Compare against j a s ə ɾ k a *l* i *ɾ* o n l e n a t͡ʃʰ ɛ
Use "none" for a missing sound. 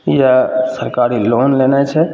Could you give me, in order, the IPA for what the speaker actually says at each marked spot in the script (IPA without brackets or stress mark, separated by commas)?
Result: ɾ, l